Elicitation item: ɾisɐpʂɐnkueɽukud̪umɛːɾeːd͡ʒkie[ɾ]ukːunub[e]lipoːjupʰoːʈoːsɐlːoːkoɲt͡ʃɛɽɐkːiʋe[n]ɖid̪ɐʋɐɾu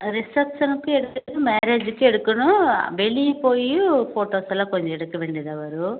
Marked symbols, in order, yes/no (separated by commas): no, yes, no